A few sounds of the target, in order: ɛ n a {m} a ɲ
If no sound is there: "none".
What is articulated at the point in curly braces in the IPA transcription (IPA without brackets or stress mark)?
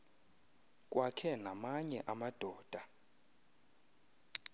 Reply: m